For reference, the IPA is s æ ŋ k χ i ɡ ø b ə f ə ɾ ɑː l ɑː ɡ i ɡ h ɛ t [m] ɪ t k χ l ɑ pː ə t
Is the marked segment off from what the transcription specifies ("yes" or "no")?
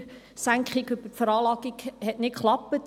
yes